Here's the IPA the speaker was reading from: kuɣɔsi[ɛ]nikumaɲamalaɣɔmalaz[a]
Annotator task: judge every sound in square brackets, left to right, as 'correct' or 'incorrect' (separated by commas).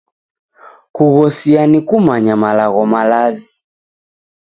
incorrect, incorrect